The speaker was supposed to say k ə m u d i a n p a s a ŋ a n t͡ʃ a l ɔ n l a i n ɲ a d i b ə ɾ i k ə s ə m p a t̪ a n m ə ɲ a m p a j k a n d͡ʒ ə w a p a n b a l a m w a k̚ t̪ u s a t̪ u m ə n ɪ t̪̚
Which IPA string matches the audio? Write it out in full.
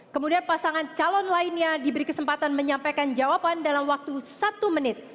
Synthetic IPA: k ə m u d i a n p a s a ŋ a n t͡ʃ a l ɔ n l a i n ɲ a d i b ə ɾ i k ə s ə m p a t̪ a n m ə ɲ a m p a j k a n d͡ʒ a w a p a n d a l a m w a k̚ t̪ u s a t̪ u m ə n ɪ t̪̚